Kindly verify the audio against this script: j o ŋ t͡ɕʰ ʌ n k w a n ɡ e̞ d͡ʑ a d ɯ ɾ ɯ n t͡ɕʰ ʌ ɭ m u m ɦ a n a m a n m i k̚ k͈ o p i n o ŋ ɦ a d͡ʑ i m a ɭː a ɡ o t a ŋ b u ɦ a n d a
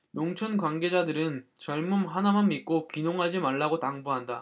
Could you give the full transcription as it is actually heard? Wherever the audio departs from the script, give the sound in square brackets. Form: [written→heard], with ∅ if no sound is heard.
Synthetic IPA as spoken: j o ŋ t͡ɕʰ ʌ n k w a n ɡ e̞ d͡ʑ a d ɯ ɾ ɯ n [t͡ɕʰ→t͡ɕ] ʌ ɭ m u m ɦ a n a m a n m i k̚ k͈ o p i n o ŋ ɦ a d͡ʑ i m a ɭː a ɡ o t a ŋ b u ɦ a n d a